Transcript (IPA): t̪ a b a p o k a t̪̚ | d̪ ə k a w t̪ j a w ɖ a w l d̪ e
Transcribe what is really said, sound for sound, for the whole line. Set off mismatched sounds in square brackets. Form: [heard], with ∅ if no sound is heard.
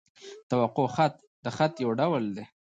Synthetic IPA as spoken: t̪ a [w] a [q] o [x] a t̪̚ | d̪ ə [x] a [∅] t̪ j a w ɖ a w l d̪ e